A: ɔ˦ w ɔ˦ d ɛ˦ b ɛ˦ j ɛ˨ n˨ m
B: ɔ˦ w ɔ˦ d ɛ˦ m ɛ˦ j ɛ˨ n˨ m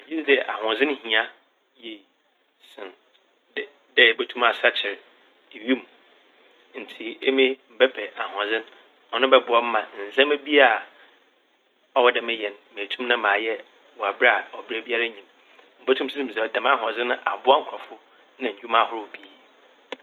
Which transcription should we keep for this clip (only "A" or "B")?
B